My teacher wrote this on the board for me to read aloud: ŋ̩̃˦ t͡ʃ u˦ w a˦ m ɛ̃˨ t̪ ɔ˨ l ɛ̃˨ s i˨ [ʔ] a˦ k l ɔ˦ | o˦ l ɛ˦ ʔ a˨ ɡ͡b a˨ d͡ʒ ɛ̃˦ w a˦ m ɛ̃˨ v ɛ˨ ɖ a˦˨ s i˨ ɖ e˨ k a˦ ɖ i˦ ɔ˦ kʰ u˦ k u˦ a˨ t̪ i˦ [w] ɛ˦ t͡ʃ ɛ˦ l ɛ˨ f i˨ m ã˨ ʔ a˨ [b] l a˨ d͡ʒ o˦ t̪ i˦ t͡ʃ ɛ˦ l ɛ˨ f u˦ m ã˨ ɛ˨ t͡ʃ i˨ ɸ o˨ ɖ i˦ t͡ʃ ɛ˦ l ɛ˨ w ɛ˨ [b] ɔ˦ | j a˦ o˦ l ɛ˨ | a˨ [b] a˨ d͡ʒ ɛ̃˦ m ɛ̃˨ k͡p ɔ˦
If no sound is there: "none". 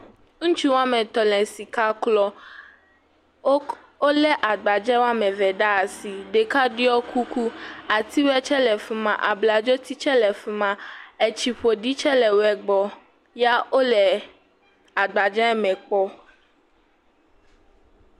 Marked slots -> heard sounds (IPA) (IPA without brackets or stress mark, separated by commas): k, w, b, ɡ͡b, ɡ͡b